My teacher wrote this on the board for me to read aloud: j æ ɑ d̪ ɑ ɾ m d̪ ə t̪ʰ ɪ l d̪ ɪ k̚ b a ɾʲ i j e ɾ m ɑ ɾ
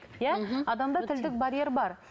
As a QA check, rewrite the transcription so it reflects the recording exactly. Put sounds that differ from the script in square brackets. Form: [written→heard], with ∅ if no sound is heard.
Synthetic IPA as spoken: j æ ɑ d̪ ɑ [ɾ→∅] m d̪ [ə→ɑ] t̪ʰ ɪ l d̪ ɪ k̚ b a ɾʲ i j e ɾ [m→b] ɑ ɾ

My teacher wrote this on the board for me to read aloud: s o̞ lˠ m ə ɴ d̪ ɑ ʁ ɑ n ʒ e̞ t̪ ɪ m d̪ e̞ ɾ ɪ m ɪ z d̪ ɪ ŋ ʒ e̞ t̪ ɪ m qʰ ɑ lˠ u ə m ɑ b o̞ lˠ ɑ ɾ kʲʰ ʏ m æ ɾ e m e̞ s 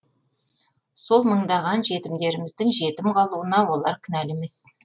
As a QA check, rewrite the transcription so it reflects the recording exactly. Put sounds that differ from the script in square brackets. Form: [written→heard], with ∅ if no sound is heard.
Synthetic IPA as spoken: s o̞ lˠ m ə ɴ d̪ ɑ ʁ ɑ n ʒ e̞ t̪ ɪ m d̪ e̞ ɾ ɪ m ɪ z d̪ ɪ ŋ ʒ e̞ t̪ ɪ m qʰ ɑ lˠ u ə [m→n] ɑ [b→w] o̞ lˠ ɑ ɾ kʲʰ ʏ [m→n] æ [ɾ→l] e m e̞ s

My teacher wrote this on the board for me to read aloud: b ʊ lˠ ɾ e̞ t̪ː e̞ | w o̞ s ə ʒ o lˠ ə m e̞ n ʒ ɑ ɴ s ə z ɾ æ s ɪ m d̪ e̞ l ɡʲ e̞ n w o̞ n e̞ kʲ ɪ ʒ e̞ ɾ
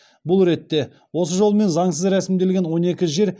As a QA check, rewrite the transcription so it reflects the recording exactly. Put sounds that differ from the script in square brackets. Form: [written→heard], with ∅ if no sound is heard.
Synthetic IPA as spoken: b ʊ lˠ ɾ e̞ t̪ː e̞ | w o̞ s ə ʒ o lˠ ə m e̞ n [ʒ→z] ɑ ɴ s ə z ɾ æ s ɪ m d̪ e̞ l ɡʲ e̞ n w o̞ n e̞ kʲ ɪ ʒ e̞ ɾ

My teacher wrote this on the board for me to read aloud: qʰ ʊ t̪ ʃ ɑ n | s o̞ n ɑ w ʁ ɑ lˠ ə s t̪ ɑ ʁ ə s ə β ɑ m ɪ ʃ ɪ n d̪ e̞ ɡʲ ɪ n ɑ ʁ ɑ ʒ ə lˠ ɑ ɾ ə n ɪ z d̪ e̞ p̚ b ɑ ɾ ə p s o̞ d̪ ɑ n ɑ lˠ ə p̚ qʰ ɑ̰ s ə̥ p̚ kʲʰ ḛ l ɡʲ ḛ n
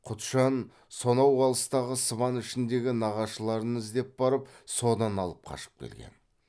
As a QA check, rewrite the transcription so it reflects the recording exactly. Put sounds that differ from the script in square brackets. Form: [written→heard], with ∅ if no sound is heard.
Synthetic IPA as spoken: qʰ ʊ t̪ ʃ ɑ n | s o̞ n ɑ w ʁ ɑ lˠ ə s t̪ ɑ ʁ ə s ə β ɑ [m→n] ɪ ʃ ɪ n d̪ e̞ ɡʲ ɪ n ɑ ʁ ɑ [ʒ→ʃ] ə lˠ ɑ ɾ ə n ɪ z d̪ e̞ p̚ b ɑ ɾ ə p s o̞ d̪ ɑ n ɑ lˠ ə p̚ qʰ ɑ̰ [s→ʃ] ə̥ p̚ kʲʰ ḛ l ɡʲ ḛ n

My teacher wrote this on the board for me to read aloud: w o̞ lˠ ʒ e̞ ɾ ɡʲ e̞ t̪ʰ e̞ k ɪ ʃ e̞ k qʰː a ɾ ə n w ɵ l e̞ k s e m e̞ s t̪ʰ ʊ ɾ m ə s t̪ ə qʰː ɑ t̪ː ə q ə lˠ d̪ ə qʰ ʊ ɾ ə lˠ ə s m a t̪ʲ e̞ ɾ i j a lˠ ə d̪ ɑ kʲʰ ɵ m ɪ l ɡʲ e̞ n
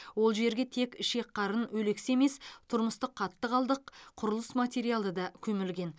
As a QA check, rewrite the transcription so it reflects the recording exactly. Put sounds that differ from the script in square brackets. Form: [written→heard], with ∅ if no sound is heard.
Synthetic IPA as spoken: w o̞ lˠ ʒ e̞ ɾ ɡʲ e̞ t̪ʰ e̞ k ɪ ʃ e̞ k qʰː [a→ɑ] ɾ ə n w ɵ l e̞ k s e m e̞ s t̪ʰ ʊ ɾ m ə s t̪ ə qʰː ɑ t̪ː ə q [ə→ɑ] lˠ d̪ ə qʰ ʊ ɾ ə lˠ ə s m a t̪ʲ e̞ ɾ i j a lˠ ə d̪ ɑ kʲʰ ɵ m ɪ l ɡʲ e̞ n

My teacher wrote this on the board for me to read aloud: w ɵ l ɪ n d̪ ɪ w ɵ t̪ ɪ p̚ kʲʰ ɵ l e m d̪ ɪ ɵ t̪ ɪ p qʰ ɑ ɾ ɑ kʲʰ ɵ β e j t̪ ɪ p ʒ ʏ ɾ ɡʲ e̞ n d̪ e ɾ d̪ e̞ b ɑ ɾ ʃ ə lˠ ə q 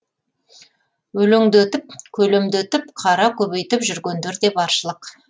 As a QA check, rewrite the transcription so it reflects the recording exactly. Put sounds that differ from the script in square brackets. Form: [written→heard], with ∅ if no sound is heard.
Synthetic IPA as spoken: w ɵ l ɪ [n→ŋ] d̪ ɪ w ɵ t̪ ɪ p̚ kʲʰ ɵ l e m d̪ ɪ ɵ t̪ ɪ p qʰ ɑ ɾ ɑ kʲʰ ɵ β e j t̪ ɪ p ʒ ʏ ɾ ɡʲ e̞ n d̪ e ɾ d̪ e̞ b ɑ ɾ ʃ ə lˠ ə q

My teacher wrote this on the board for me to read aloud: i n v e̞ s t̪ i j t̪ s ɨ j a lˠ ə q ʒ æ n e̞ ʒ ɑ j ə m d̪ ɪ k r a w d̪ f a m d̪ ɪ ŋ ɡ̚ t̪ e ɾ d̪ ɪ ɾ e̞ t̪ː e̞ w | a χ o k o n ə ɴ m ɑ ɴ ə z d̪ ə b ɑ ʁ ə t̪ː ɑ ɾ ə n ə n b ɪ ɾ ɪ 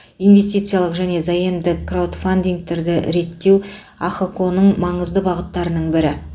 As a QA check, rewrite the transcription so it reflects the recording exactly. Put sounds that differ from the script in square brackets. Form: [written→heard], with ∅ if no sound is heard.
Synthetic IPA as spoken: i n v e̞ s t̪ i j t̪ s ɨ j a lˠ ə q ʒ æ n e̞ [ʒ→z] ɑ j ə m d̪ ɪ k r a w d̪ f a [m→n] d̪ [ɪ→i] ŋ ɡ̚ t̪ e ɾ d̪ ɪ ɾ e̞ t̪ː e̞ w | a χ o k o n ə ɴ m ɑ ɴ ə z d̪ ə b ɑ ʁ ə t̪ː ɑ ɾ ə n ə [n→ɴ] b ɪ ɾ ɪ

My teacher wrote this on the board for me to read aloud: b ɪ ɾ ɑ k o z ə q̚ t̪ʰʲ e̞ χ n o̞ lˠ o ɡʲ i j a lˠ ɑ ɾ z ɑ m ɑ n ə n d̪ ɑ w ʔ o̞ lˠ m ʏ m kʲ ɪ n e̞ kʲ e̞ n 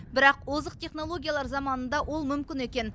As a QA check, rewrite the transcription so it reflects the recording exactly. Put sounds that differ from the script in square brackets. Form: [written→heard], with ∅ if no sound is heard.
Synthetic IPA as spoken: b ɪ ɾ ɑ [k→q] o z ə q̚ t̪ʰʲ e̞ χ n o̞ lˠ o ɡʲ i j a lˠ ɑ ɾ z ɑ m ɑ n ə n d̪ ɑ w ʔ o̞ lˠ m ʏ m kʲ ɪ n e̞ kʲ e̞ n

